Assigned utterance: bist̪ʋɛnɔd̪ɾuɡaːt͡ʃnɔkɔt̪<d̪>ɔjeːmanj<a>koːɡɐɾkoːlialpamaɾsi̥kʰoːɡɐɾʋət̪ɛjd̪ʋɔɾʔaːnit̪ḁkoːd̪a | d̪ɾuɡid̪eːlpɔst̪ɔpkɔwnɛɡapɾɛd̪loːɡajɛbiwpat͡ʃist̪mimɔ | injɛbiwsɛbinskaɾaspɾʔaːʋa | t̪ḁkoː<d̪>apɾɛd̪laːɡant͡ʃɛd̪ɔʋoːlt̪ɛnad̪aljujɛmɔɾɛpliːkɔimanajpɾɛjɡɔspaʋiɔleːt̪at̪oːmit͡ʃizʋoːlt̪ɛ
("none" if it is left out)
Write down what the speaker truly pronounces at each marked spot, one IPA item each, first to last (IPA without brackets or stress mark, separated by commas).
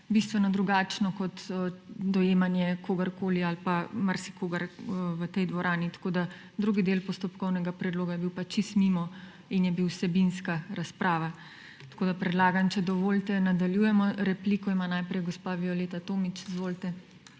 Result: d̪, ɛ, d̪